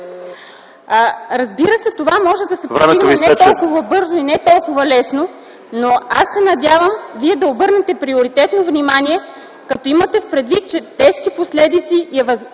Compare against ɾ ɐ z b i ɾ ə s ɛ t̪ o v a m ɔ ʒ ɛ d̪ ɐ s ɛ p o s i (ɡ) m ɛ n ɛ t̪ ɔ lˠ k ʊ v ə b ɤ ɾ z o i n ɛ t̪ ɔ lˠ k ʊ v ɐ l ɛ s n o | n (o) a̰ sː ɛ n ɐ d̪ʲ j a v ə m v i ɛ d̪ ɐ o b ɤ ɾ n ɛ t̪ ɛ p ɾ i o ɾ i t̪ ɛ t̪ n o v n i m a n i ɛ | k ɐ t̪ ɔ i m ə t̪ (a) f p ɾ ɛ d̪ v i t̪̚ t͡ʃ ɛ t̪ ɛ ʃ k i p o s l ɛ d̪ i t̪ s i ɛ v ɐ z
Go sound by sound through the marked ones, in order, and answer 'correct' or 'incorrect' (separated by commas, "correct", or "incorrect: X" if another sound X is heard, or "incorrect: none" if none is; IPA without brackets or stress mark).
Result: correct, correct, incorrect: ɛ